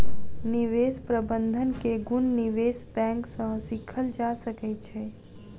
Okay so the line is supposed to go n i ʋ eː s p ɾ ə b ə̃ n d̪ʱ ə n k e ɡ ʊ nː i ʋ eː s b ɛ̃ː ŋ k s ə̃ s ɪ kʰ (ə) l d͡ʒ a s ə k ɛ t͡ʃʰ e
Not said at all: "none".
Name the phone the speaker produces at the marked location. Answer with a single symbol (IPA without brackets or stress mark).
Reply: ə